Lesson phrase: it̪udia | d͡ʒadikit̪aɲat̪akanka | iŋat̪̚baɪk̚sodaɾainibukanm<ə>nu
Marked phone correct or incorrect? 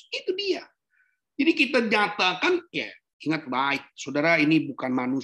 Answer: incorrect